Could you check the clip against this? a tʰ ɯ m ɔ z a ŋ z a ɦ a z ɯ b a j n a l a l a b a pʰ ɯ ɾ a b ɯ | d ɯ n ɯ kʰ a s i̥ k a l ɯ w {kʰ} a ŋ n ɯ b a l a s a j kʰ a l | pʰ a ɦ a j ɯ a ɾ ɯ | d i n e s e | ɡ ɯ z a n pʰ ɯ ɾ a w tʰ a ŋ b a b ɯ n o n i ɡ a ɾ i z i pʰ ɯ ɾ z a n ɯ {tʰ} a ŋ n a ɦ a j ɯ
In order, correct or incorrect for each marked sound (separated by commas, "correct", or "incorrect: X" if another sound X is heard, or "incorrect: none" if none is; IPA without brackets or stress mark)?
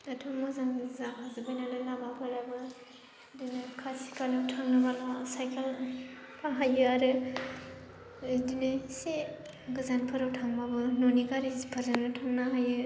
incorrect: tʰ, correct